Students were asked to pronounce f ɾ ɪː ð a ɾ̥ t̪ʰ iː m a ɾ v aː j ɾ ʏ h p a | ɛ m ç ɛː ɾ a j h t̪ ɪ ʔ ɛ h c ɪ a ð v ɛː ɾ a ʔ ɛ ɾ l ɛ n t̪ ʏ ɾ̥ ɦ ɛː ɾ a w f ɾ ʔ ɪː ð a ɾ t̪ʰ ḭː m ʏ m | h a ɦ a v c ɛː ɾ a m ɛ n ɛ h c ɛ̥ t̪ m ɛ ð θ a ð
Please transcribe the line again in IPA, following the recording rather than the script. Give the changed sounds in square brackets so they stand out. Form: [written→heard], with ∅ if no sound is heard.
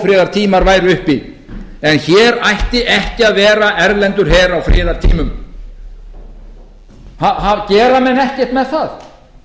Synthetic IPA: f ɾ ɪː ð a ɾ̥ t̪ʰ iː m a ɾ v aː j ɾ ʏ h p [a→i] | ɛ [m→n] ç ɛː ɾ a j h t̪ ɪ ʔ ɛ h c ɪ a ð v ɛː ɾ a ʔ ɛ ɾ l ɛ n t̪ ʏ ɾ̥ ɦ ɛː ɾ a w f ɾ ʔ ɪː ð a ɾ t̪ʰ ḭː m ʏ m | h a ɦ a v c ɛː ɾ a m ɛ n ɛ h c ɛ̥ t̪ m ɛ ð θ a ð

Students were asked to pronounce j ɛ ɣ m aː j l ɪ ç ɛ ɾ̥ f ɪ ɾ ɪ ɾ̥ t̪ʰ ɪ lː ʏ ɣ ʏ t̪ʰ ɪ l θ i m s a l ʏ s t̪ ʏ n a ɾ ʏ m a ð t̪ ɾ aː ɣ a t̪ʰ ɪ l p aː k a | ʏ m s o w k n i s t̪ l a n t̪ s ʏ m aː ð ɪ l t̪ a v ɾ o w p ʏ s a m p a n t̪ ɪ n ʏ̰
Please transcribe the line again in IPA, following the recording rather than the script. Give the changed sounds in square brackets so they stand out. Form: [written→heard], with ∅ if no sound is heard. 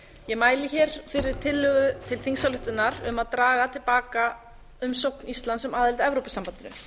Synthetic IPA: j ɛ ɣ m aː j l ɪ ç ɛ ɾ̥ f ɪ ɾ ɪ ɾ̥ t̪ʰ ɪ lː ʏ ɣ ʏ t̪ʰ ɪ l θ i [m→ŋ] s a l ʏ [s→h] t̪ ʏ n a ɾ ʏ m a ð t̪ ɾ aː ɣ a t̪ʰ ɪ l p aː k a | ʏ m s o w k n i s t̪ l a n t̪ s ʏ m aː ð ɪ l t̪ [a→ɛ] v ɾ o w p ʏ s a m p a n t̪ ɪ n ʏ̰

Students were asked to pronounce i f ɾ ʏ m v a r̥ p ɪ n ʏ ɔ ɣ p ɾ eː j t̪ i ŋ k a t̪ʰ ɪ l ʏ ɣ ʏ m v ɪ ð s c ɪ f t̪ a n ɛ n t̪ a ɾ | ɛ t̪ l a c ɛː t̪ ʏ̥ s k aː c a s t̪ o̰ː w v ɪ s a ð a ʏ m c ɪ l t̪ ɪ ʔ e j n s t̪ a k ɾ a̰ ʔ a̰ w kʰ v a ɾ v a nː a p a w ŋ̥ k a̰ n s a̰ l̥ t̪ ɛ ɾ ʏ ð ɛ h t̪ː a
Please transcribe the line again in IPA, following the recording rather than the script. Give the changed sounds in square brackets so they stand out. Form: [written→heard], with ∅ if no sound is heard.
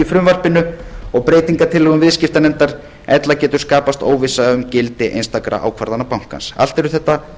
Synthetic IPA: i f ɾ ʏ m v a r̥ p ɪ n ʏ ɔ ɣ p ɾ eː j t̪ i ŋ k a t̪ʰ ɪ l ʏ ɣ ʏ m v ɪ ð s c ɪ f t̪ a n ɛ n t̪ a ɾ | ɛ t̪ l a c ɛː t̪ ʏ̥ s k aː [c→p] a s t̪ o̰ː w v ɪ s a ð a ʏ m c ɪ l t̪ ɪ ʔ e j n s t̪ a k ɾ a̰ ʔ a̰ w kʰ v a ɾ [v→ð] a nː a p a w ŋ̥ k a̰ n s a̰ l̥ t̪ ɛ ɾ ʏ [ð→θ] ɛ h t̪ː a

